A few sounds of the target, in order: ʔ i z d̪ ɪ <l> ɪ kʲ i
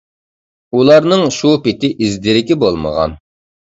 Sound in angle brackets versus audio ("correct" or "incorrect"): incorrect